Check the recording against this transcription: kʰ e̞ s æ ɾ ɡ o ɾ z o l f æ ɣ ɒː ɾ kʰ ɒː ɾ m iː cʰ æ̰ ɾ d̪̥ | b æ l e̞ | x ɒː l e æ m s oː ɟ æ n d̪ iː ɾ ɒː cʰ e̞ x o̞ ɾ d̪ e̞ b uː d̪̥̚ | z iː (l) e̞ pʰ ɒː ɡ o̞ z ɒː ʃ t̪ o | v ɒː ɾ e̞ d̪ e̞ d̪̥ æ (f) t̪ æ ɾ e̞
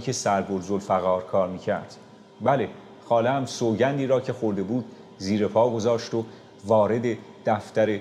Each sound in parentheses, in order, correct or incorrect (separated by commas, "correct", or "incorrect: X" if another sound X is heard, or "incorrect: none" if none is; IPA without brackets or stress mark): incorrect: ɾ, correct